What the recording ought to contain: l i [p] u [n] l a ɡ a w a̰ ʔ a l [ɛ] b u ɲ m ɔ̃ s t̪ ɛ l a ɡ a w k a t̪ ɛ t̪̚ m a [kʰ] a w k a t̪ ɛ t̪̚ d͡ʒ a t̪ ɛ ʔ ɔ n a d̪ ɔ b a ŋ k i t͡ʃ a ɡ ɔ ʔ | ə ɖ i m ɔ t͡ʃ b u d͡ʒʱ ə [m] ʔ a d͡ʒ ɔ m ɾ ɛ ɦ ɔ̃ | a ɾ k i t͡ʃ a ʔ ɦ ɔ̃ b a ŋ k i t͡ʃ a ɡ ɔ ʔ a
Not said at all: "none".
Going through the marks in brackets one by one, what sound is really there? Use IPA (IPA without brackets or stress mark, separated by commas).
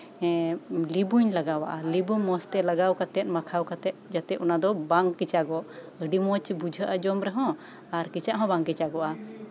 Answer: b, ɲ, i, kʰ, none